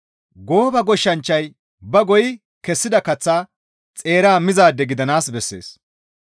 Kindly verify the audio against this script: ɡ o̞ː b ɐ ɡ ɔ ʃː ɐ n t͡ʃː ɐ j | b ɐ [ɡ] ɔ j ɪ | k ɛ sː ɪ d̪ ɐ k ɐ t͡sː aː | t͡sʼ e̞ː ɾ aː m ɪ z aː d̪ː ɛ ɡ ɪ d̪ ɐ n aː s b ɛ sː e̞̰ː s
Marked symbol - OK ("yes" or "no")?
yes